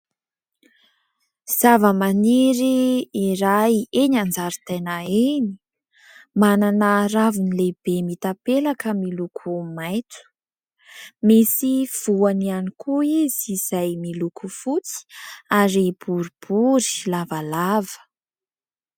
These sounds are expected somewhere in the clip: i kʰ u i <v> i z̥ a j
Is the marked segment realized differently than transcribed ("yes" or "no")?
yes